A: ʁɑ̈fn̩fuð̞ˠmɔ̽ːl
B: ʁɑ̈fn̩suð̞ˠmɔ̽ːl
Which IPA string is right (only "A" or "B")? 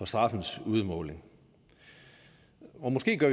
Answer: B